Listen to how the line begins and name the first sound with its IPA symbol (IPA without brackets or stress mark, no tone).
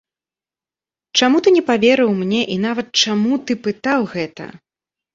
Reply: t͡ʂ